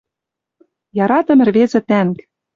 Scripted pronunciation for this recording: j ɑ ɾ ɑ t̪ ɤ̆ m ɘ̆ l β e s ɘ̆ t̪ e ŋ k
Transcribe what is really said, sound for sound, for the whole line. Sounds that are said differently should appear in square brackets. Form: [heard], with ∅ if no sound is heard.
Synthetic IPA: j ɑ ɾ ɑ t̪ ɤ̆ m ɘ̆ [r] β e [z] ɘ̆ t̪ [æ] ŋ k